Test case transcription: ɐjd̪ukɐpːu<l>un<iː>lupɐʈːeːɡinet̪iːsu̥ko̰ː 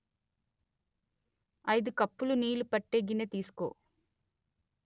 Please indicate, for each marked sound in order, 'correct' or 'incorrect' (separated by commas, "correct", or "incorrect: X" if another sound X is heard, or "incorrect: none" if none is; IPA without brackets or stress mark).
correct, correct